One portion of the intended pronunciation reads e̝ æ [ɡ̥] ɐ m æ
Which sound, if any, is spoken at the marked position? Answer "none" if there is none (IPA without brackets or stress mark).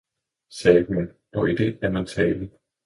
none